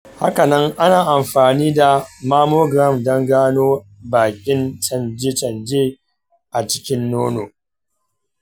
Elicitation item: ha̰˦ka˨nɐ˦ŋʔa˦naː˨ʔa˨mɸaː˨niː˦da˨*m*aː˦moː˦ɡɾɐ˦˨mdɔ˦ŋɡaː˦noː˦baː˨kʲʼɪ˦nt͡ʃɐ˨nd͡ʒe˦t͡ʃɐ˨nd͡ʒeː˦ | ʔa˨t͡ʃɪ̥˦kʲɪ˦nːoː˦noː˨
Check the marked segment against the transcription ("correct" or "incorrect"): correct